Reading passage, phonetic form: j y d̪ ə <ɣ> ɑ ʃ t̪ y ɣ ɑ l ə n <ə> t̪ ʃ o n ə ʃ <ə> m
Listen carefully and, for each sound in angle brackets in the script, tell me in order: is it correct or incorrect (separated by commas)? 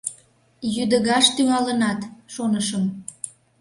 correct, incorrect, correct